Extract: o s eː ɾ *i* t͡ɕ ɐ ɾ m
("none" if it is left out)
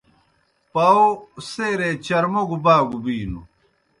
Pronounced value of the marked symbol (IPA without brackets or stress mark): e